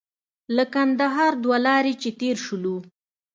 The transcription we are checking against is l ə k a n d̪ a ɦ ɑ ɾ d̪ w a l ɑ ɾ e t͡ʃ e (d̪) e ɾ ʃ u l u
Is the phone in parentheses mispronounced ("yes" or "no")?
yes